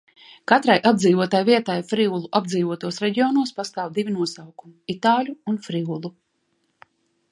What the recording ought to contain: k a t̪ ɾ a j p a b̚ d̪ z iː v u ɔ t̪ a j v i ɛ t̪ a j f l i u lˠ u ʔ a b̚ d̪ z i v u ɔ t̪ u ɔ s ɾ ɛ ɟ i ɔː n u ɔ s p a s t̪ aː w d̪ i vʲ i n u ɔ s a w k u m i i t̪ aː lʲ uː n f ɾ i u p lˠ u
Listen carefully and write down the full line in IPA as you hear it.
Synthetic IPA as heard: k a t̪ ɾ a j ʔ a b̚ d̪ z iː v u ɔ t̪ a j v i ɛ t̪ a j f ɾ i u lˠ u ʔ a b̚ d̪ z iː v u ɔ t̪ u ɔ s ɾ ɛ ɟ i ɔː n u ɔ s p a s t̪ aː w d̪ i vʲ i n u ɔ s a w k u m i i t̪ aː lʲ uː n f ɾ i u lˠ u